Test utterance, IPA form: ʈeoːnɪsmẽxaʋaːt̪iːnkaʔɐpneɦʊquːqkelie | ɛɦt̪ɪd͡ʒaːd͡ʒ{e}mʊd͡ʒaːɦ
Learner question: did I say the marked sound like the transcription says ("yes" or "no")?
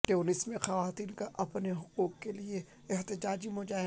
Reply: no